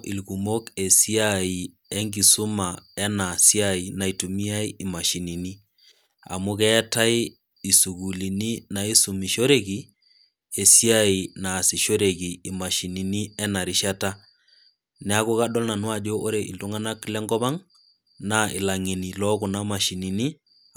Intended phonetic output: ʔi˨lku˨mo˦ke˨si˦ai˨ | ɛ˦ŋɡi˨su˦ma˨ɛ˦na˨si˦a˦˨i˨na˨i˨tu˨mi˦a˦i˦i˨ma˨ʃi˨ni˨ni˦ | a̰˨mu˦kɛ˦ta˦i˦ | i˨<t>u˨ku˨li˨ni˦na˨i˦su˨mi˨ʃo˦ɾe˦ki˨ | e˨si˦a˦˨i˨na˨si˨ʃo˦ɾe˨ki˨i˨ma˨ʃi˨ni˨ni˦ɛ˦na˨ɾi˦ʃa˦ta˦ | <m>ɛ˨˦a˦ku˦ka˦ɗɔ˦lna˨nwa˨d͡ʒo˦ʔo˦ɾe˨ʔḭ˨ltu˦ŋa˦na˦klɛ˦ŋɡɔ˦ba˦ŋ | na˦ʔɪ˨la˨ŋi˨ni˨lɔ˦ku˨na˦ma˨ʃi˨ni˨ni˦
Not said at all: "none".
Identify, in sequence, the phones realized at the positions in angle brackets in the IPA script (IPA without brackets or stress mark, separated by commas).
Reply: s, n